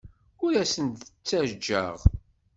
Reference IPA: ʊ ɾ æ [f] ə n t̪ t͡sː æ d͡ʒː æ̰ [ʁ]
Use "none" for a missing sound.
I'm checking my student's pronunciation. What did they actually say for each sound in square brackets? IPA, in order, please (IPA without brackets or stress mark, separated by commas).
s, ʁ